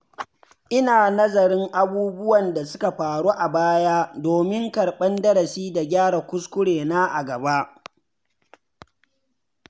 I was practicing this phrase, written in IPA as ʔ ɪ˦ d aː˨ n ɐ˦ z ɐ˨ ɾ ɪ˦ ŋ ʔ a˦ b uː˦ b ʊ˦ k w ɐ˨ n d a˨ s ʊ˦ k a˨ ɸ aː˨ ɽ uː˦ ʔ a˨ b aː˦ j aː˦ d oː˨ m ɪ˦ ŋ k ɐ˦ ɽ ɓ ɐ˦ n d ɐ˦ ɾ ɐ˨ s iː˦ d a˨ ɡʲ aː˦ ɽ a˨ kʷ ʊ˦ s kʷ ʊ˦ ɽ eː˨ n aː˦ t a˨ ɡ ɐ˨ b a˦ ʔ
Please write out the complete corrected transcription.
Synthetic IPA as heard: ʔ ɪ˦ n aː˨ n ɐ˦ z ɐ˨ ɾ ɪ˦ ŋ ʔ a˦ b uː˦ b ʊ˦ w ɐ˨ n d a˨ s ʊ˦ k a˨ ɸ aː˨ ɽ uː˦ ʔ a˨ b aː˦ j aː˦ d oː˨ m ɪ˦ ŋ k ɐ˨ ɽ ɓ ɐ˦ n d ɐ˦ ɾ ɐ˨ s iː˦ d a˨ ɡʲ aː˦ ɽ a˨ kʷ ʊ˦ s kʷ ʊ˦ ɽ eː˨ n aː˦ ʔ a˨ ɡ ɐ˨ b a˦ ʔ